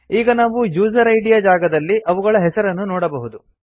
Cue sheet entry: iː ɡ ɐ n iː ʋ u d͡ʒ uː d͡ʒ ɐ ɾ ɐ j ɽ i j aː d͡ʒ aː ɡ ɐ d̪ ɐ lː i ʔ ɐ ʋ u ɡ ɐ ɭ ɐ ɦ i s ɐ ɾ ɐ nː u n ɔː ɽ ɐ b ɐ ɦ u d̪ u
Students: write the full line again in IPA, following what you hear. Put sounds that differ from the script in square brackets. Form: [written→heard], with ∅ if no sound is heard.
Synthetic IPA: iː ɡ ɐ n [iː→aː] ʋ u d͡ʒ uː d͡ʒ ɐ ɾ ɐ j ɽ i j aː d͡ʒ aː ɡ ɐ d̪ ɐ lː i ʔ ɐ ʋ u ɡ ɐ ɭ ɐ ɦ [i→ɛ] s ɐ ɾ ɐ nː u n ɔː ɽ ɐ b ɐ ɦ u d̪ u

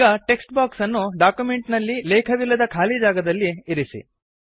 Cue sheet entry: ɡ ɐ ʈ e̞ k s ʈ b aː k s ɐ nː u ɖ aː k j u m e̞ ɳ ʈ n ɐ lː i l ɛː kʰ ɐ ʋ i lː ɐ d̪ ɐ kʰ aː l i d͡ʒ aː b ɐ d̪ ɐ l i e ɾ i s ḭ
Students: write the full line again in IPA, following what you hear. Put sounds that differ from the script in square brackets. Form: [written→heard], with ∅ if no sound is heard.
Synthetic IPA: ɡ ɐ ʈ e̞ k s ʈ b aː k s ɐ nː u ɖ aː k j u m e̞ ɳ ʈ n ɐ lː i l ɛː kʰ ɐ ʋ i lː ɐ d̪ ɐ kʰ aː l i d͡ʒ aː [b→ɡ] ɐ d̪ ɐ [l→lː] i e ɾ i s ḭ

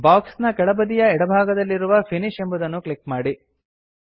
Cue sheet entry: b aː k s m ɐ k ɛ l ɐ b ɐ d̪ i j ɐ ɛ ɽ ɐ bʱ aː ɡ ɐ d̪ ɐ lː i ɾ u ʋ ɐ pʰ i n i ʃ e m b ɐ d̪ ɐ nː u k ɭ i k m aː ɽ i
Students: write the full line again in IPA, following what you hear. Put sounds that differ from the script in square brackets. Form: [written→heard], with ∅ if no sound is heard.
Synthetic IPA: b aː k s [m→n] ɐ k ɛ [l→ɭ] ɐ b ɐ d̪ i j ɐ ɛ ɽ ɐ bʱ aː ɡ ɐ d̪ ɐ lː i ɾ u ʋ ɐ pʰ i n i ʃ e m b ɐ d̪ ɐ nː u k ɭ i k m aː ɽ i

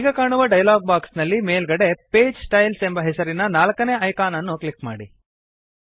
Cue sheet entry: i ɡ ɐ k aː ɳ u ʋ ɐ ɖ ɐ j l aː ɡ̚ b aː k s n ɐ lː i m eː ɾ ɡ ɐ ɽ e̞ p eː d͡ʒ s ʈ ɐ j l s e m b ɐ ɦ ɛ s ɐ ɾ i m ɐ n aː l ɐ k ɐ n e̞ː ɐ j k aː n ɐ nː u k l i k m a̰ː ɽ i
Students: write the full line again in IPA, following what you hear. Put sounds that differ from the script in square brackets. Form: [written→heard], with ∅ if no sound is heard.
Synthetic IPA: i ɡ ɐ k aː ɳ u ʋ ɐ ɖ ɐ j l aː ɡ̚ b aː k s n ɐ lː i m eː [ɾ→l] ɡ ɐ ɽ e̞ p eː d͡ʒ s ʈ ɐ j l s e m b ɐ ɦ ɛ s ɐ ɾ i [m→n] ɐ n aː l ɐ k ɐ n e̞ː ɐ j k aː n ɐ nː u k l i k m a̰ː ɽ i

